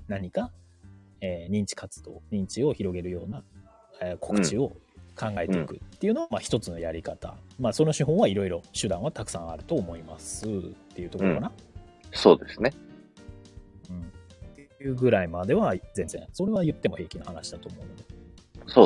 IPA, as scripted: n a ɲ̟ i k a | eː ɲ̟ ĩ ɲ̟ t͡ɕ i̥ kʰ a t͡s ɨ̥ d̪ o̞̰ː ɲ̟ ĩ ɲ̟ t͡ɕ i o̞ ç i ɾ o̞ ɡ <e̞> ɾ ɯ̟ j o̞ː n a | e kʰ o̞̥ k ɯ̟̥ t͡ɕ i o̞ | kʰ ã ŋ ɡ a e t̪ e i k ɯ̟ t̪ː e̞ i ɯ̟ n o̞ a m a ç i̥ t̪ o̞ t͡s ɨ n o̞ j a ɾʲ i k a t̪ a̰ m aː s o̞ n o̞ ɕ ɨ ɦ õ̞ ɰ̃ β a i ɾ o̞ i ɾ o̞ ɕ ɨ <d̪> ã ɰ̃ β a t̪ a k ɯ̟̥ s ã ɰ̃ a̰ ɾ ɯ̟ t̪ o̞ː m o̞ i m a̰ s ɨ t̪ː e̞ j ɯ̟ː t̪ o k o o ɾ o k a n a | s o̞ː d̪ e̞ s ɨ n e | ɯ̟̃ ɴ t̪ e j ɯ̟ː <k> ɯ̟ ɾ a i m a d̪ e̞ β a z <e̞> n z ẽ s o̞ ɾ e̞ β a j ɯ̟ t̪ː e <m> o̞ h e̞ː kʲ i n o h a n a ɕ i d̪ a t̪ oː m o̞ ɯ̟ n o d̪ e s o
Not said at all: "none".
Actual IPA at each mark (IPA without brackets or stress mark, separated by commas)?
e̞, d̪, ɡ, ẽ̞, m